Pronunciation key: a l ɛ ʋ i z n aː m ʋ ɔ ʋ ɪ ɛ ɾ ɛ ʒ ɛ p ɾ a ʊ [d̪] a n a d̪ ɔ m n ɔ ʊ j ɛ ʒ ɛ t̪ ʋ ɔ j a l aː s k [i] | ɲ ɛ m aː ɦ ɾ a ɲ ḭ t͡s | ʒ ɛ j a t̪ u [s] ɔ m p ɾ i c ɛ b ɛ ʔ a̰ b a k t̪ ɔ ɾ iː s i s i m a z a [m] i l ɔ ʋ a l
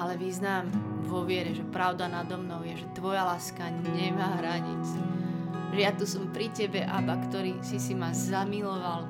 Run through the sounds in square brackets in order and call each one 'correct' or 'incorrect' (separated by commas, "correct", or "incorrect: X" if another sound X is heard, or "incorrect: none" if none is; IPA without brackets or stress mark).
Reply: correct, incorrect: a, correct, correct